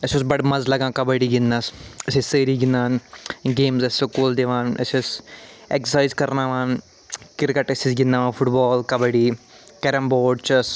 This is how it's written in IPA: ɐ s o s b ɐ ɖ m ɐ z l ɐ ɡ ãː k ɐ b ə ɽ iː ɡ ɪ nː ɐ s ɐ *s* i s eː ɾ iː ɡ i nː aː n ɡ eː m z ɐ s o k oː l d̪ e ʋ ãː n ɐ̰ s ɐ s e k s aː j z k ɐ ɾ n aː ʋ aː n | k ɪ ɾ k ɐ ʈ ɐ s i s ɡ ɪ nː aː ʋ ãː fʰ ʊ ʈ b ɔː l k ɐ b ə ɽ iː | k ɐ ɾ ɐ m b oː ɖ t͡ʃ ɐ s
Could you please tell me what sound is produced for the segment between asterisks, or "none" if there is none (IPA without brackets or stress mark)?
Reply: s